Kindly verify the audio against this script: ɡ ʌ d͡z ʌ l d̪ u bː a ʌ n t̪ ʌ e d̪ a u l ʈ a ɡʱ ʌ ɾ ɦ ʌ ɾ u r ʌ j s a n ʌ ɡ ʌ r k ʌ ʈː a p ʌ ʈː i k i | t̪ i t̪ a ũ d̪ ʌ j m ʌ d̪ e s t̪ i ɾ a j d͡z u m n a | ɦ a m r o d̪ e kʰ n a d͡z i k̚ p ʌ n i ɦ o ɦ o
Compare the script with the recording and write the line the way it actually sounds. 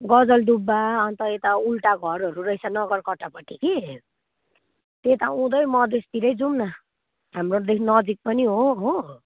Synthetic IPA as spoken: ɡ ʌ d͡z ʌ l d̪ u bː a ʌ n t̪ ʌ e t̪ a u l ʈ a ɡʱ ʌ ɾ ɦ ʌ ɾ u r ʌ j s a n ʌ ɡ ʌ r k ʌ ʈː a p ʌ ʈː i k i | t̪ e t̪ a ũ d̪ ʌ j m ʌ d̪ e s t̪ i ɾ ʌ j d͡z u m n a | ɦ a m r o d̪ e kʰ n ʌ d͡z i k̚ p ʌ n i ɦ o ɦ o